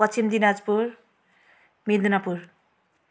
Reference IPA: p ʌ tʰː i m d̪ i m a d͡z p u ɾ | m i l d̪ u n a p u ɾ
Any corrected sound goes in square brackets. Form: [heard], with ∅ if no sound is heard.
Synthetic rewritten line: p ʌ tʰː i m d̪ i [n] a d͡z p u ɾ | m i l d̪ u n a p u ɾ